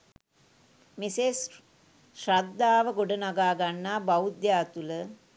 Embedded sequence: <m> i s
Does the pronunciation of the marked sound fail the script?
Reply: no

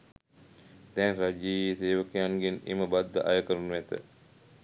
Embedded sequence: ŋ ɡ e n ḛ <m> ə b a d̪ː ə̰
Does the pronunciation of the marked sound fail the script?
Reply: no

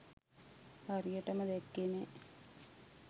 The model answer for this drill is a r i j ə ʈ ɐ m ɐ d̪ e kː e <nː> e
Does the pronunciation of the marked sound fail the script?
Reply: yes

